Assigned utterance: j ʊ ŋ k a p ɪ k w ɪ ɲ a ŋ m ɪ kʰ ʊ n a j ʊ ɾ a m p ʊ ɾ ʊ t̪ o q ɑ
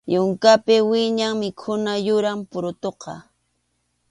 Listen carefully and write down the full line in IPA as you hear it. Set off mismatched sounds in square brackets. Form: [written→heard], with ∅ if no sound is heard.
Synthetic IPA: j ʊ ŋ k a p ɪ [k→∅] w ɪ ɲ a ŋ m ɪ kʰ ʊ n a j ʊ ɾ a m p ʊ ɾ ʊ t̪ o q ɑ